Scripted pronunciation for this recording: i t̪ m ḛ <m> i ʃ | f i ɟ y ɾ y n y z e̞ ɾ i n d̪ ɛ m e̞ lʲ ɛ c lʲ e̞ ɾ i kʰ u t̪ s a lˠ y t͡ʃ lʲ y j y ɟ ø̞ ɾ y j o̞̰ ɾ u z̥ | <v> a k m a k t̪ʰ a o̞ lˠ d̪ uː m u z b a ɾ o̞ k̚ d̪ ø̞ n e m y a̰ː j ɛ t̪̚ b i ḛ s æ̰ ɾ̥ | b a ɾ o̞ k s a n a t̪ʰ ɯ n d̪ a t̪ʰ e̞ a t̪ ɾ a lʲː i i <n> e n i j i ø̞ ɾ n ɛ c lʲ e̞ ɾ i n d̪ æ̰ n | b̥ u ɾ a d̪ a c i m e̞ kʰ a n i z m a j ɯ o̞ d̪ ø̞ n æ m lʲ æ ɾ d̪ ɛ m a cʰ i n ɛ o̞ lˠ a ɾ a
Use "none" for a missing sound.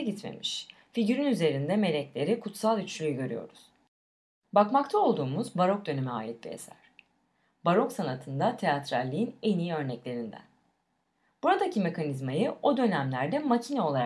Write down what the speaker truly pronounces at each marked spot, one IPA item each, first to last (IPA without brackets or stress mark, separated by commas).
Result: m, b, n